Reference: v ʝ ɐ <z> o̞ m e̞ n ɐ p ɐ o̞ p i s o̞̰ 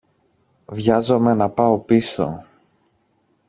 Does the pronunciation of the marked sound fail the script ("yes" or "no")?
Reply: no